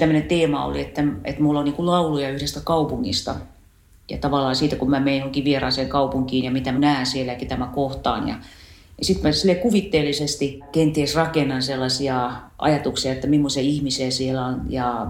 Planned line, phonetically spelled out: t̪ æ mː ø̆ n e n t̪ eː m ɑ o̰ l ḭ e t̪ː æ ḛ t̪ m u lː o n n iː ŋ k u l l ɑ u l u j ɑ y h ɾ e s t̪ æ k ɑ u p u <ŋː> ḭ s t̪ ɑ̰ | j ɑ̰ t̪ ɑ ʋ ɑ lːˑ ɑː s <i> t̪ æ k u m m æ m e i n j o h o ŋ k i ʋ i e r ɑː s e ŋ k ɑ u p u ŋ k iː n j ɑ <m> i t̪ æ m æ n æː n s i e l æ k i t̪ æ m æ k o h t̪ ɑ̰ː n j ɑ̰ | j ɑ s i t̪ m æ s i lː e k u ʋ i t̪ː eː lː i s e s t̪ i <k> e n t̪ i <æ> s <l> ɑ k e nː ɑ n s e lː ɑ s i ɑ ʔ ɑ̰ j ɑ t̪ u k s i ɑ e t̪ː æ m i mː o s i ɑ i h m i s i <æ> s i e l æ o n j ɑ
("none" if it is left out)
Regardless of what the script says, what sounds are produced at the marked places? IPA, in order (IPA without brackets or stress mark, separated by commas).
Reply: ŋː, iː, m, k, e, r, æ